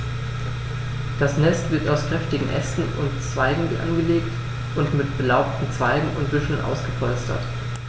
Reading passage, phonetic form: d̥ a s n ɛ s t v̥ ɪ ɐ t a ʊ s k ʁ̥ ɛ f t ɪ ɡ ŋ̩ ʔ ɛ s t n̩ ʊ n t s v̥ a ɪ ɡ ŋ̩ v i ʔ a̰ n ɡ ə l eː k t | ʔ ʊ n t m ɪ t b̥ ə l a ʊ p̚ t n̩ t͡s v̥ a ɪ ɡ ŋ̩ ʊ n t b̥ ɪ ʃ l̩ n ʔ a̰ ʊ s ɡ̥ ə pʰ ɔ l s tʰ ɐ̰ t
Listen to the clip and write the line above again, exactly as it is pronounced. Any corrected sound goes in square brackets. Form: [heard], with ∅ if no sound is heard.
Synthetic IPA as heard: d̥ a s n ɛ s t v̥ ɪ ɐ t a ʊ s k ʁ̥ ɛ f t ɪ ɡ ŋ̩ ʔ ɛ s t n̩ ʊ n t [t͡s] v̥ a ɪ ɡ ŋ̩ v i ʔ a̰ n ɡ ə l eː k t | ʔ ʊ n t m ɪ t b̥ ə l a ʊ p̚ t n̩ t͡s v̥ a ɪ ɡ ŋ̩ ʊ n t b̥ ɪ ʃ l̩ n ʔ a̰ ʊ s ɡ̥ ə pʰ ɔ l s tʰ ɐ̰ t